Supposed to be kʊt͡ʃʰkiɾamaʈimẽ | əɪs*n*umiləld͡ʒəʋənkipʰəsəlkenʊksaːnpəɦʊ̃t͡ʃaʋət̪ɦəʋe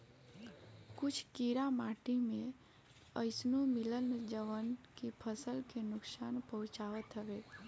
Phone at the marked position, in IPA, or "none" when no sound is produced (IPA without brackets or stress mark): n